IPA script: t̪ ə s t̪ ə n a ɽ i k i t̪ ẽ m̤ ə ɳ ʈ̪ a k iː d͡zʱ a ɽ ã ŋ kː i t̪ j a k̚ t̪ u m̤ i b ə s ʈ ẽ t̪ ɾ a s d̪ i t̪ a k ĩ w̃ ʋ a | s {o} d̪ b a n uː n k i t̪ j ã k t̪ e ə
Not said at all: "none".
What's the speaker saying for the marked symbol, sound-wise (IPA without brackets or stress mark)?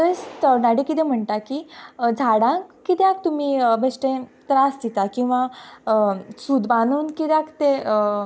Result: u